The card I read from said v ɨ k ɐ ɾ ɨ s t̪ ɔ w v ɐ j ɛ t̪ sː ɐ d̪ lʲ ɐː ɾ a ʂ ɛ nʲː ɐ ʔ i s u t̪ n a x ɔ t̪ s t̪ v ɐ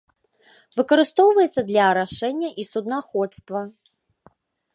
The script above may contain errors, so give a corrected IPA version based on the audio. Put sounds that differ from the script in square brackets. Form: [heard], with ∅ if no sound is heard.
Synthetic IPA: v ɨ k ɐ ɾ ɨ s t̪ ɔ w v ɐ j ɛ t̪ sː ɐ d̪ lʲ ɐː ɾ a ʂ ɛ nʲː ɐ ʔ i s u [d̪] n a x ɔ t̪ s t̪ v ɐ